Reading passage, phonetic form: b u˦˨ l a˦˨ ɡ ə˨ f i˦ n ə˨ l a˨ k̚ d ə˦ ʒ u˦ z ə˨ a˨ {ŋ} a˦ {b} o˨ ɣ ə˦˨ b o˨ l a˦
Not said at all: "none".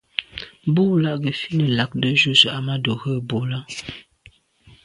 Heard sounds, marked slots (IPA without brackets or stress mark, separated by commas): m, d